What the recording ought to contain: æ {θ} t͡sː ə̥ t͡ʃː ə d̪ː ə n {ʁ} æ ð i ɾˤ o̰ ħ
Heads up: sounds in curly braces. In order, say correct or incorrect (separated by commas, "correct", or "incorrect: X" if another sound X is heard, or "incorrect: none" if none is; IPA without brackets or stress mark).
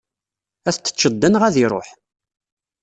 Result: correct, correct